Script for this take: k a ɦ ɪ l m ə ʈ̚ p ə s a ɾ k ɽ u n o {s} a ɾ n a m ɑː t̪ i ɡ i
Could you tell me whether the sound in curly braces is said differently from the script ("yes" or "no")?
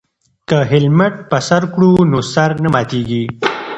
no